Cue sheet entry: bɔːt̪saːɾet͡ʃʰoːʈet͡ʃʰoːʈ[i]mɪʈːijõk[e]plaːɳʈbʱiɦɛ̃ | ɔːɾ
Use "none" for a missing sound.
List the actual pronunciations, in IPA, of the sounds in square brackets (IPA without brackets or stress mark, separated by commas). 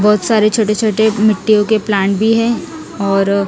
e, e